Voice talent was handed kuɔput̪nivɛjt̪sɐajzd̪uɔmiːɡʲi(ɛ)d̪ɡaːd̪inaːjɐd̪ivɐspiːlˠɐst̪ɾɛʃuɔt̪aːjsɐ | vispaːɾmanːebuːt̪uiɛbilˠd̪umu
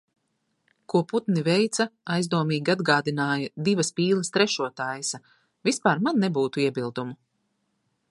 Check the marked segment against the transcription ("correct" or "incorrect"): incorrect